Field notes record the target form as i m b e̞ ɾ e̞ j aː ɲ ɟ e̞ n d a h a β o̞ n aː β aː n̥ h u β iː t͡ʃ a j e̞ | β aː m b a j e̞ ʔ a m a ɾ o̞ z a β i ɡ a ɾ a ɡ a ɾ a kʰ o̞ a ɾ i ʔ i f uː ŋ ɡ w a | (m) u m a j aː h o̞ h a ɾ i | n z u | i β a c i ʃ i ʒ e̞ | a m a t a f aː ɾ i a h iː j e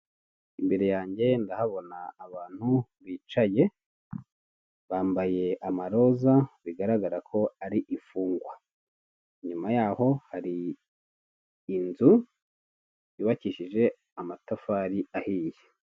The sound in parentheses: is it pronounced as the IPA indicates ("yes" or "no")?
no